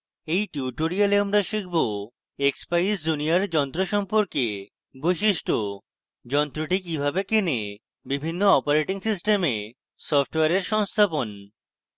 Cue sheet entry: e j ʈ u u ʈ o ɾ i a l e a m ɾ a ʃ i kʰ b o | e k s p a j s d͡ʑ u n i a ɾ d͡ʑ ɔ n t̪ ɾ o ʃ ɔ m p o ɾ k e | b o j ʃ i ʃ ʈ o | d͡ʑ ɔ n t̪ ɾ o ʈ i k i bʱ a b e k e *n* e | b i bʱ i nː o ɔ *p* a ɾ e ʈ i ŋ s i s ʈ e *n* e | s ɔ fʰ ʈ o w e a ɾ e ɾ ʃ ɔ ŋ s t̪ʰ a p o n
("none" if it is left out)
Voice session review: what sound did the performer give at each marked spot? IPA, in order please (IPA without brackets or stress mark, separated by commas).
n, p, m